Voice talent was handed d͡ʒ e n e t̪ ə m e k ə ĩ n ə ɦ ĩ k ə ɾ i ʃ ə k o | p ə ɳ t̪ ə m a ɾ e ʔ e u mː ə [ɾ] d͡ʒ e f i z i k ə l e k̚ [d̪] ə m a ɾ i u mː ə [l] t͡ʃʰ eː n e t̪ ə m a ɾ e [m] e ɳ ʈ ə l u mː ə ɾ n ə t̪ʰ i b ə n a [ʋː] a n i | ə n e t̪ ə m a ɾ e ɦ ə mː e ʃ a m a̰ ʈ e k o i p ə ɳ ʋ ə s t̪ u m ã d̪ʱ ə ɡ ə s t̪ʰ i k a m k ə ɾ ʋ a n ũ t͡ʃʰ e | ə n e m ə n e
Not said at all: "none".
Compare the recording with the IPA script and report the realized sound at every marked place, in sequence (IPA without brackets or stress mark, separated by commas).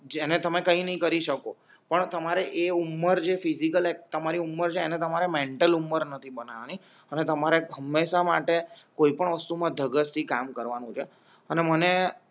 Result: ɾ, t̪, ɾ, m, ʋ